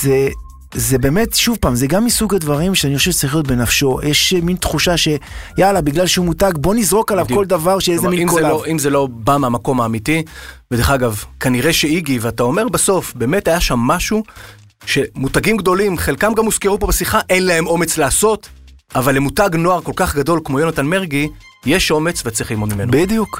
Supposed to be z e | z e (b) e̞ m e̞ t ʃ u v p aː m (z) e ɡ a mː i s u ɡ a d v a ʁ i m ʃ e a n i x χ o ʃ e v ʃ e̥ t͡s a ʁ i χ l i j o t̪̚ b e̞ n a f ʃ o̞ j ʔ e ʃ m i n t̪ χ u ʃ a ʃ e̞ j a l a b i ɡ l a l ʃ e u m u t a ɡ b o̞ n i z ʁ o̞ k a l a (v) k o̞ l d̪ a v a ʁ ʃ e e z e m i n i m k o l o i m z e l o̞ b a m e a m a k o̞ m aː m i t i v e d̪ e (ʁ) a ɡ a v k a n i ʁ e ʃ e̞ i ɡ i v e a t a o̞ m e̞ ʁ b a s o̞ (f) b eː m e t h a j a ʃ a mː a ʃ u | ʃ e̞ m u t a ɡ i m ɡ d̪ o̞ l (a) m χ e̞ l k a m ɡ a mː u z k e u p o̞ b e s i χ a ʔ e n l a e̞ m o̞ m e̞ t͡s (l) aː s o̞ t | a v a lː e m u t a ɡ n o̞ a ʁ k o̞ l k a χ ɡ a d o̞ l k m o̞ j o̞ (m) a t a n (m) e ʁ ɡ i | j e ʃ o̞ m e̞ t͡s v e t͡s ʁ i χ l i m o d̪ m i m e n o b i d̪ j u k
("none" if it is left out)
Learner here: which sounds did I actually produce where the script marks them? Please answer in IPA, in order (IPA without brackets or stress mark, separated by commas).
b, z, v, χ, f, i, l, n, m